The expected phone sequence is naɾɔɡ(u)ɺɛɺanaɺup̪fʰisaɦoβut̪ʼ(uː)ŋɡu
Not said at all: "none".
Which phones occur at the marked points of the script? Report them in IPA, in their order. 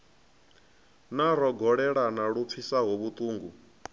ɔ, uː

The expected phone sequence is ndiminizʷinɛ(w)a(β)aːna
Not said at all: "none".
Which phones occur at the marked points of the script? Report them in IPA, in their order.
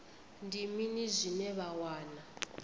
β, w

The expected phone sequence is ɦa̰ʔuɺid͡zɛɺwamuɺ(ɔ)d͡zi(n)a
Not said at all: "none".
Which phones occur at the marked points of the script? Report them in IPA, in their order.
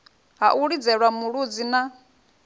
u, n

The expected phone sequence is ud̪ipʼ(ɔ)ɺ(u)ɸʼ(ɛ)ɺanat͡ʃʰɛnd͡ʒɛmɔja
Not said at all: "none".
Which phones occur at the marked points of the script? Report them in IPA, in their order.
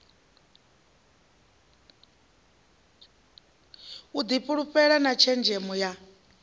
u, u, ɛ

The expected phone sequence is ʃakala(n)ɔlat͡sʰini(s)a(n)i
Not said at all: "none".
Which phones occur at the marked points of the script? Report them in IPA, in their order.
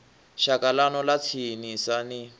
n, s, n

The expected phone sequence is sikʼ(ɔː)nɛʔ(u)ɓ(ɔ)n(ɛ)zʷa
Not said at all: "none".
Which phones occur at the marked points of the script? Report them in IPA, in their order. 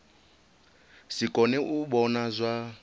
ɔ, u, ɔ, a

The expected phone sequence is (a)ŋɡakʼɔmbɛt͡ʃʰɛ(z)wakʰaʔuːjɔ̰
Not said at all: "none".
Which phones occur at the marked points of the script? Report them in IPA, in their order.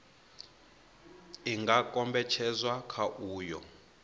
i, z

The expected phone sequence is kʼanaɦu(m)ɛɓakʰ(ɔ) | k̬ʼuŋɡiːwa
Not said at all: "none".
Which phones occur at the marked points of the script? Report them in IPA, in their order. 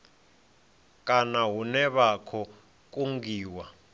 n, ɔ

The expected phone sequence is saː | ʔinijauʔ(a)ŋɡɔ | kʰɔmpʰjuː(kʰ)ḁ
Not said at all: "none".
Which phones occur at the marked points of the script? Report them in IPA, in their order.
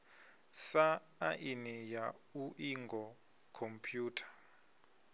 i, tʰ

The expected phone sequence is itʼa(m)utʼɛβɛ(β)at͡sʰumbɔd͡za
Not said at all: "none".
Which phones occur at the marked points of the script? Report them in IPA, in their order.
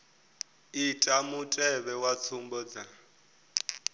m, w

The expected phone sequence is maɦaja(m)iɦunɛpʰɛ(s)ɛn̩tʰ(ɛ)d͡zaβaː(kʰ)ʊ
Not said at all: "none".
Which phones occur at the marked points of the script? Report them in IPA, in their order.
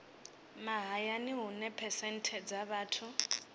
n, s, ɛ, tʰ

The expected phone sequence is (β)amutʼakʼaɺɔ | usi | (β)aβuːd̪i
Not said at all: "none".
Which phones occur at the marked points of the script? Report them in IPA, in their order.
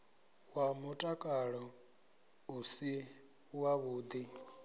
w, w

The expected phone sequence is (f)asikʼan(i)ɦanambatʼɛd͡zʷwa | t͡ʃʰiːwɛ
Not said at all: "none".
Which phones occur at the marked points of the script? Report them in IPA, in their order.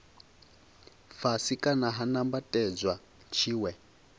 f, a

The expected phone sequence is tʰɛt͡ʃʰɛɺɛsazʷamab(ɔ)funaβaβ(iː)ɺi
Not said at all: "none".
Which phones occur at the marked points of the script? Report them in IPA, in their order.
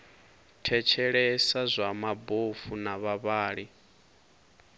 o, aː

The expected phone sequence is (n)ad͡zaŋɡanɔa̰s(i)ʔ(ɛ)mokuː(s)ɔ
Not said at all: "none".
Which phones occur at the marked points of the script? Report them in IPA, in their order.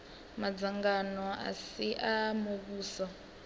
m, i, a, s

